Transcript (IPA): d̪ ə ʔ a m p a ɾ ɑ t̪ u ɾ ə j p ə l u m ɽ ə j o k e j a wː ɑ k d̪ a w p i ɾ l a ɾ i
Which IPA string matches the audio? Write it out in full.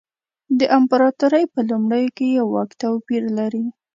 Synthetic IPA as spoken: d̪ ə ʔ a m p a ɾ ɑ t̪ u ɾ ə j p ə l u m ɽ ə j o k e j a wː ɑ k t̪ a w p i ɾ l a ɾ i